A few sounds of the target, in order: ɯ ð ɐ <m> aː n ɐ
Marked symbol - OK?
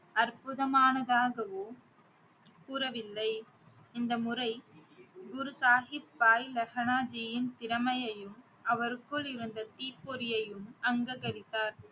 yes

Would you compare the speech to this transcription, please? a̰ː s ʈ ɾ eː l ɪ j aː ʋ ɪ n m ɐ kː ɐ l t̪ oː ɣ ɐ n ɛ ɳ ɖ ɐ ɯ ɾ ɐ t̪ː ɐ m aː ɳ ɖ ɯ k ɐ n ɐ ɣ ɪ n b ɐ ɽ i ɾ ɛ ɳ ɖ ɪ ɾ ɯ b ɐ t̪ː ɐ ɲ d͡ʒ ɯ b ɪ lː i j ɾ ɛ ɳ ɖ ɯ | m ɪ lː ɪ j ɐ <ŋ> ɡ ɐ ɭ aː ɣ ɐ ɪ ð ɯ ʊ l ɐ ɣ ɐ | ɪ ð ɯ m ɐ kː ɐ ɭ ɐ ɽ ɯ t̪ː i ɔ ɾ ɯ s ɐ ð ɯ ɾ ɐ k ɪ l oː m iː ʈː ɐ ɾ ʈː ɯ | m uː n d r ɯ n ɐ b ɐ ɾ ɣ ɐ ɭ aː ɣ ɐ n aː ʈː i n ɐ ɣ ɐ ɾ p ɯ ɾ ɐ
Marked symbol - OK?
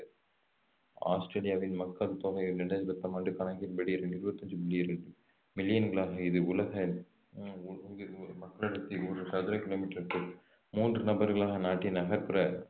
no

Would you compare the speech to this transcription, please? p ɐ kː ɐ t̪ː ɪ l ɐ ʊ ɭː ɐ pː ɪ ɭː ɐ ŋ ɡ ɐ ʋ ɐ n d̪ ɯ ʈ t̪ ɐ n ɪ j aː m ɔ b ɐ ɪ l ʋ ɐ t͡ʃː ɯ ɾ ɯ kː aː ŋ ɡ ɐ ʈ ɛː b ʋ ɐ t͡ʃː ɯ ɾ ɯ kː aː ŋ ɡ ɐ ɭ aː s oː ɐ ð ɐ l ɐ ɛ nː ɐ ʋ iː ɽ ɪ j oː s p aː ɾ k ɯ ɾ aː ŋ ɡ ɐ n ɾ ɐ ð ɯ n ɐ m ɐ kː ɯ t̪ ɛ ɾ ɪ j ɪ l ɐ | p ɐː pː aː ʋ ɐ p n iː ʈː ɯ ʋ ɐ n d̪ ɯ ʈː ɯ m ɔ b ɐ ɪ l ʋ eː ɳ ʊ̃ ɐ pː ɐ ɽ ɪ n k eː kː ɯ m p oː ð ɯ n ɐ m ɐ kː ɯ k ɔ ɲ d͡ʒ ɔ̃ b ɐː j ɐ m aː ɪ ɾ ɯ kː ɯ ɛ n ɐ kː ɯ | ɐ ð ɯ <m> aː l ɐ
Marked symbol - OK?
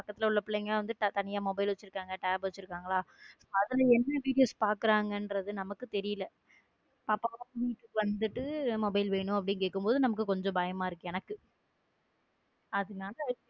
no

